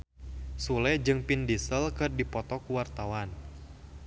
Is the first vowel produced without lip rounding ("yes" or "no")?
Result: no